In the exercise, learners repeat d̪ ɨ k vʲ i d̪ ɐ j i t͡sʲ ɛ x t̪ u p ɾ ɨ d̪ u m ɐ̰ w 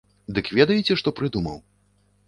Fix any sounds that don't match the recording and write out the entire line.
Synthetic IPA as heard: d̪ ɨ k vʲ ɛ d̪ ɐ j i t͡sʲ ɛ ʂ t̪ ɔ p ɾ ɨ d̪ u m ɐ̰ w